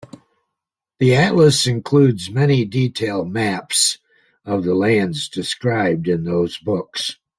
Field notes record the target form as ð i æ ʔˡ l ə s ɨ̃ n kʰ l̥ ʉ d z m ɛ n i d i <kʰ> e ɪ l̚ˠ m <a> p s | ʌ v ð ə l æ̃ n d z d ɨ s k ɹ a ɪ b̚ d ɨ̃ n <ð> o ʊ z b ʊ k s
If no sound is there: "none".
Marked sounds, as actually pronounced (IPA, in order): tʰ, æ, ð

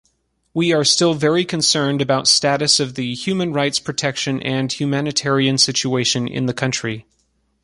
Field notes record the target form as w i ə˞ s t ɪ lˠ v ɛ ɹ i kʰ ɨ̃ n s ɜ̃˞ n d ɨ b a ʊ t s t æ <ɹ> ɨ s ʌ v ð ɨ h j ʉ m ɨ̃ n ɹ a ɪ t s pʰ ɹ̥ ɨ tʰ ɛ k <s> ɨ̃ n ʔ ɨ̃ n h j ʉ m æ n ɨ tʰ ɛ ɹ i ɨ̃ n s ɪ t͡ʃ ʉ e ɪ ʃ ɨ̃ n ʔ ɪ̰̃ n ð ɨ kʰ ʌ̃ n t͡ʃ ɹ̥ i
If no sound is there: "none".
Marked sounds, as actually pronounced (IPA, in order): ɾ, ʃ

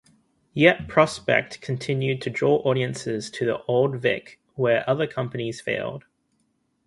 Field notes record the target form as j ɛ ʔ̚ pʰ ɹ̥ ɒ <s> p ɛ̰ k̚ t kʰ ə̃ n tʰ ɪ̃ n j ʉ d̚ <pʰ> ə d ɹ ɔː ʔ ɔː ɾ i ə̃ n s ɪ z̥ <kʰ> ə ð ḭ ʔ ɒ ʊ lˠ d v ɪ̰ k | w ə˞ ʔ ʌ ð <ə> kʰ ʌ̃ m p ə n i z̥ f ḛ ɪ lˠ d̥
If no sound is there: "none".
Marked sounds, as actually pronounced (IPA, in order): s, tʰ, tʰ, ə

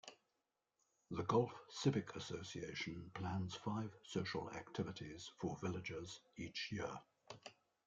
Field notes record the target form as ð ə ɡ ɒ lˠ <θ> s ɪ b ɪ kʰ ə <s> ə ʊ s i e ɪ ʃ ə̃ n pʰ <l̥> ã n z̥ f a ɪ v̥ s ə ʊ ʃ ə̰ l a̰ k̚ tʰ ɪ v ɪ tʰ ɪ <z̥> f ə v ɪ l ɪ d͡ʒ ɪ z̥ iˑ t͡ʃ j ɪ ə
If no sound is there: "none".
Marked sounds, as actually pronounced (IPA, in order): f, s, l̥, z̥

